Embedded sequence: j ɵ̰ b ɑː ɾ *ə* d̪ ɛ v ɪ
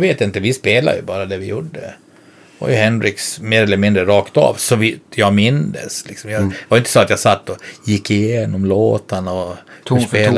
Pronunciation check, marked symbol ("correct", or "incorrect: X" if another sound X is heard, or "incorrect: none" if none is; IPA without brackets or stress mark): incorrect: a